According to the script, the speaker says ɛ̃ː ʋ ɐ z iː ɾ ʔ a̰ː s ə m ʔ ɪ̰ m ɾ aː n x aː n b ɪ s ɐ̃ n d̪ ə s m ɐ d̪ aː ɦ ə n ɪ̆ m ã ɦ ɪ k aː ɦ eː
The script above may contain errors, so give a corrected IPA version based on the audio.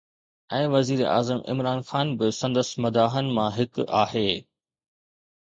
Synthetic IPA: ɛ̃ː ʋ ɐ z iː ɾ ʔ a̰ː z ə m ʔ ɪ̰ m ɾ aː n x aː n b ɪ s ɐ̃ n d̪ ə s m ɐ d̪ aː ɦ ə n ɪ̆ m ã ɦ ɪ k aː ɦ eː